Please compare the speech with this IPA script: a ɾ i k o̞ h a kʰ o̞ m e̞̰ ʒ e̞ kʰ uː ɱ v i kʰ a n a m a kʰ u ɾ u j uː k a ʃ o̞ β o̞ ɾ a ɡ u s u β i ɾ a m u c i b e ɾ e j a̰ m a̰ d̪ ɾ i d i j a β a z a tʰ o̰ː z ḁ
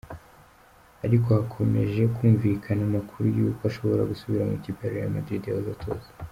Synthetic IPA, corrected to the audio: a ɾ i k o̞ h a kʰ o̞ m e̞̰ ʒ e̞ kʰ uː ɱ v i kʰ a n a m a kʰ u ɾ u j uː k a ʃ o̞ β o̞ ɾ a ɡ u s u β i ɾ a m u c i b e ɾ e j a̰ m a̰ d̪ ɾ i d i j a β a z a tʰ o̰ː z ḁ